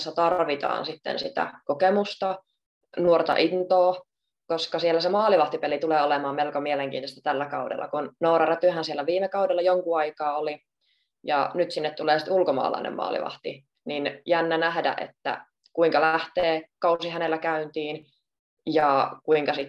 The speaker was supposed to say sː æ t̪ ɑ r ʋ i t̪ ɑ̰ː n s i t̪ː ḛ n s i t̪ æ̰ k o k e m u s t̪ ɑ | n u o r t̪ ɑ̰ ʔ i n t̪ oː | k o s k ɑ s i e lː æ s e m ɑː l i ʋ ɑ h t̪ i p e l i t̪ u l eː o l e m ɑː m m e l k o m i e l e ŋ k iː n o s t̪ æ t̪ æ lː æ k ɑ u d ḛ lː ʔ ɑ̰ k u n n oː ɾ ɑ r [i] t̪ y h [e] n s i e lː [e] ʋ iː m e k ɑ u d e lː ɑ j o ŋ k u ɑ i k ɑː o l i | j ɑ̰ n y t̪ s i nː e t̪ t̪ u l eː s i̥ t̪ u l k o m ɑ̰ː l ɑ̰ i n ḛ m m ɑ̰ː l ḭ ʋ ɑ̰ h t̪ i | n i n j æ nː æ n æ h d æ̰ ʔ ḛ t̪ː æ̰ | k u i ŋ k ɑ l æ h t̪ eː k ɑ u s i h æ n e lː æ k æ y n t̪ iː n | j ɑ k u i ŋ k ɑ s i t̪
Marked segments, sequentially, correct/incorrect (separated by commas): incorrect, incorrect, incorrect